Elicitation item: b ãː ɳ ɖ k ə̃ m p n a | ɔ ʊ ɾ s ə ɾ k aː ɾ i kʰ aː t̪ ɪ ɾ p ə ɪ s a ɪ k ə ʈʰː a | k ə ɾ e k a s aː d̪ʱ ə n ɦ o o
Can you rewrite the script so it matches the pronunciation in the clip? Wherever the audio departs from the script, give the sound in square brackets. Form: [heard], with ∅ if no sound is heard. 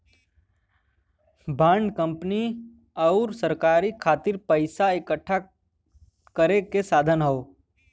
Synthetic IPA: b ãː ɳ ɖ k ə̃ m p n [i] | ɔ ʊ ɾ s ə ɾ k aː ɾ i kʰ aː t̪ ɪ ɾ p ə ɪ s a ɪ k ə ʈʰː a | k ə ɾ e k [e] s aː d̪ʱ ə n ɦ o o